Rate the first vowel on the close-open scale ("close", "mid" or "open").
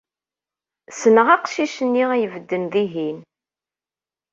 mid